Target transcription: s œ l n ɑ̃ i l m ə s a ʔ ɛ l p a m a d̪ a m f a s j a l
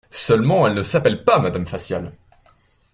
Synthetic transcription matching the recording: s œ l m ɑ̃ ɛ l n ə s a p ɛ l p a m a d̪ a m f a s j a l